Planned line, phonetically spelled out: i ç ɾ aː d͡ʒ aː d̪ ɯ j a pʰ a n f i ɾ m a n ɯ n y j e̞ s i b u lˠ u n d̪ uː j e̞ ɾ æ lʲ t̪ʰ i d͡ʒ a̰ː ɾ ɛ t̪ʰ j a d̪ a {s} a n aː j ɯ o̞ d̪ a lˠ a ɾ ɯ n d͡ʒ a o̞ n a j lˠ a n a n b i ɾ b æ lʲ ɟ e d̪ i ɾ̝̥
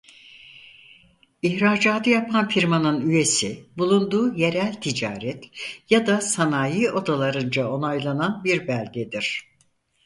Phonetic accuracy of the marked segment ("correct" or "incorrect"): correct